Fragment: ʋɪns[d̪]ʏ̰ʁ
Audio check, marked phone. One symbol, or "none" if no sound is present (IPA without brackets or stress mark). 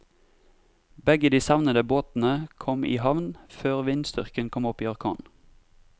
t̪